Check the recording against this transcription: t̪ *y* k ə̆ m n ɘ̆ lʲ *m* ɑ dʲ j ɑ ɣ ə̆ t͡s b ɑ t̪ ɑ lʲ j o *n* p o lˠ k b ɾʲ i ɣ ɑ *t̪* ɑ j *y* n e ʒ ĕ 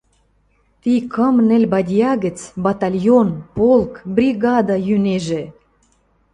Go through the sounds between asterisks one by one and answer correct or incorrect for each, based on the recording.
incorrect: i, incorrect: b, correct, incorrect: d̪, correct

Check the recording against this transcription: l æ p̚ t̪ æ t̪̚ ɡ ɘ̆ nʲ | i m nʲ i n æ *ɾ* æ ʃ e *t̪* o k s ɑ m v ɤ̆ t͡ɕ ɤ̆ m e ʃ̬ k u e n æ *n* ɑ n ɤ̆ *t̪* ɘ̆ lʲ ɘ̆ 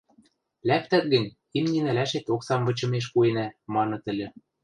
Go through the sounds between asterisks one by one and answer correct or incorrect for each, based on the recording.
incorrect: l, correct, incorrect: m, correct

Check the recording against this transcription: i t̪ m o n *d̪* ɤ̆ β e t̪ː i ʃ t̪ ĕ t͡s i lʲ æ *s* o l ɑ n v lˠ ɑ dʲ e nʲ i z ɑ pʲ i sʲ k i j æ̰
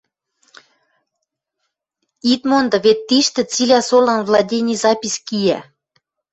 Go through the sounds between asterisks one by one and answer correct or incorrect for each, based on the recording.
correct, correct

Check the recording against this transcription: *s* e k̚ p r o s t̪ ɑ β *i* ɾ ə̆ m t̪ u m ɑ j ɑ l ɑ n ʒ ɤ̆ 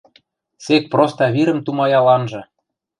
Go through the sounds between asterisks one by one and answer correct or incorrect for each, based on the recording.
correct, correct

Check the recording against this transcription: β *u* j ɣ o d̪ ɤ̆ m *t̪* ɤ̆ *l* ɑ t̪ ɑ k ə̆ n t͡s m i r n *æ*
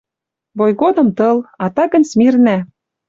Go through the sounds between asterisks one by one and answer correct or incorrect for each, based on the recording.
incorrect: o, correct, correct, correct

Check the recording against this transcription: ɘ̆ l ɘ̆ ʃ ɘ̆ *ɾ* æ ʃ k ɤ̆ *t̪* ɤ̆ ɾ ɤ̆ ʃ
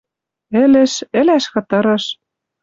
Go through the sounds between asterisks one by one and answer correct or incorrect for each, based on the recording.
incorrect: l, correct

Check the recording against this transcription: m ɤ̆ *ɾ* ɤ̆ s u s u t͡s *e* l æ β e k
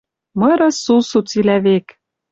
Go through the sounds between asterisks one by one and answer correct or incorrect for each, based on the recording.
correct, incorrect: i

